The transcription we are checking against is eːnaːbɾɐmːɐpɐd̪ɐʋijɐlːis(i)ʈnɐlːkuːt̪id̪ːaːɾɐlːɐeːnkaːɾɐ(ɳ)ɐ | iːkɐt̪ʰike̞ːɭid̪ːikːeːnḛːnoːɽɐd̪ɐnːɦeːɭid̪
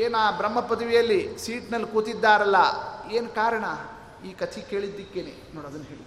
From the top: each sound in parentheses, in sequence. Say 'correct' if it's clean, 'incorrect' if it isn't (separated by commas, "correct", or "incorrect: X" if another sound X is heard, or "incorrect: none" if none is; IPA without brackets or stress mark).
incorrect: iː, correct